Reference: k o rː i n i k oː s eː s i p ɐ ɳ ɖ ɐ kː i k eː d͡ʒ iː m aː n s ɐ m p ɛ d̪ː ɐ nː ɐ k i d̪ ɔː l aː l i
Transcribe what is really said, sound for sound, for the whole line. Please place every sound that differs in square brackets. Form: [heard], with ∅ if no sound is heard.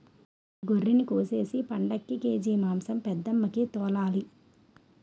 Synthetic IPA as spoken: [ɡ] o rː i n i k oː s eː s i p ɐ ɳ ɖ ɐ kː i k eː d͡ʒ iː m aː [m] s ɐ m p ɛ d̪ː ɐ [mː] ɐ k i [t̪] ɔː l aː l i